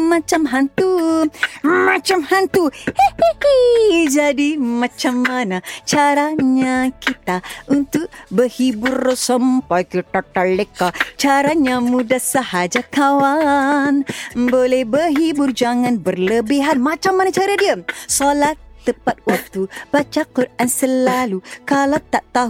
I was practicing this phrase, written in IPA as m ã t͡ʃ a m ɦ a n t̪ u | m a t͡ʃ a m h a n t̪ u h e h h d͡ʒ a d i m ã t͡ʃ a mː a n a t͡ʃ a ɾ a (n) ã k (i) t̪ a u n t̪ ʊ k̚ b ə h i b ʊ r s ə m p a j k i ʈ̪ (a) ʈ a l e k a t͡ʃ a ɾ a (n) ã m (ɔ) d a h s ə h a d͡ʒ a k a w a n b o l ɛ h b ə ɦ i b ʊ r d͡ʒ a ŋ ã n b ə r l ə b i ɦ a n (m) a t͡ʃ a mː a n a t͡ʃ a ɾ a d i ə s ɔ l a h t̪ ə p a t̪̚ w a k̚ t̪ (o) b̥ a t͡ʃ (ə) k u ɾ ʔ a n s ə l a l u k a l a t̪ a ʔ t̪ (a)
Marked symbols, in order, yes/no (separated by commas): no, yes, yes, no, no, yes, no, no, yes